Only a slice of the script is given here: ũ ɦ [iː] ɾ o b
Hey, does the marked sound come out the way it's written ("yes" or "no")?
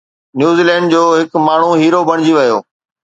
yes